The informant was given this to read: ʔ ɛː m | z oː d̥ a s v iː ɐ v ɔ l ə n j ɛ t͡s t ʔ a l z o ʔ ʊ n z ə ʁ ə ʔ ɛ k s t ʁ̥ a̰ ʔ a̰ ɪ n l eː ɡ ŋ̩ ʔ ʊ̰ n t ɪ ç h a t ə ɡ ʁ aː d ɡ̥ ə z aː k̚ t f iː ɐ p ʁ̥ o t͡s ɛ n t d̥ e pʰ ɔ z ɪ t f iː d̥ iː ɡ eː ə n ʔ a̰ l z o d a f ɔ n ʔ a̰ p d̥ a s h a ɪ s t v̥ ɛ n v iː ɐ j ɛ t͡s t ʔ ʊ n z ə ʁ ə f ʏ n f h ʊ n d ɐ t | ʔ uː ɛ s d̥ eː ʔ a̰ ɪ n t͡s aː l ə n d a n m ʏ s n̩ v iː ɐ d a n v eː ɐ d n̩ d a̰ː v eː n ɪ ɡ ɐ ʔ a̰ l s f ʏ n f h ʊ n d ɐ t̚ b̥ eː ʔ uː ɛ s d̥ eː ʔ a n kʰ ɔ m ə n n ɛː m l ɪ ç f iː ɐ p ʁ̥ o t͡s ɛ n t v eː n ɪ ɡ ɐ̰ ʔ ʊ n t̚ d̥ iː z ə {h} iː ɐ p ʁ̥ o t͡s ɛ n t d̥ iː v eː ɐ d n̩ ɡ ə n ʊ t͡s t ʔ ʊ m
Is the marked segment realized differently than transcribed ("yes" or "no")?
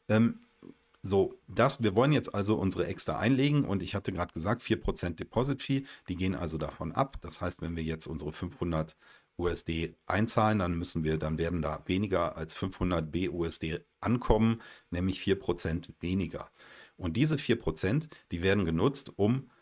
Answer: yes